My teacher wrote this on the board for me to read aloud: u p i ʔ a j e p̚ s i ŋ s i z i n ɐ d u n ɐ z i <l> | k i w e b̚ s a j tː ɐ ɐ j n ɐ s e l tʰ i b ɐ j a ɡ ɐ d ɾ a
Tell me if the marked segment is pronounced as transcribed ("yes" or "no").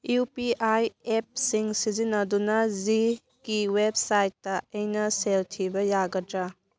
no